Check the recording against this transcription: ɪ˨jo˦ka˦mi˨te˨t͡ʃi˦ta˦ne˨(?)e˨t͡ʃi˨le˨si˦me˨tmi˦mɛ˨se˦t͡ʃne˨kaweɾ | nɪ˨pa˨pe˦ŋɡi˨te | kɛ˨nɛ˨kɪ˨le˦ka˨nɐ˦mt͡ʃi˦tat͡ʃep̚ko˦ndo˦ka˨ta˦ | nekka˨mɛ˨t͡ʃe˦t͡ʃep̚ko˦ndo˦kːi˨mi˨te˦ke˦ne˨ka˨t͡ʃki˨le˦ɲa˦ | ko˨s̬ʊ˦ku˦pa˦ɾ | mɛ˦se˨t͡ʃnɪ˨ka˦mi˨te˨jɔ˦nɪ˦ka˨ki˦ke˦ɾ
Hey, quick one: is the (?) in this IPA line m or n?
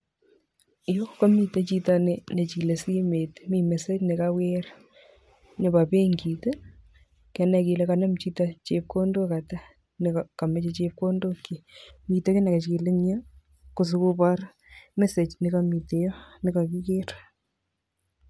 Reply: n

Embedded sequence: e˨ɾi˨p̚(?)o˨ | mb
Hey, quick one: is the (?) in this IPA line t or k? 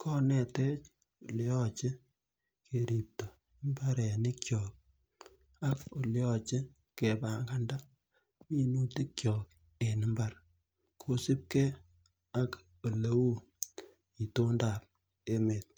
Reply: t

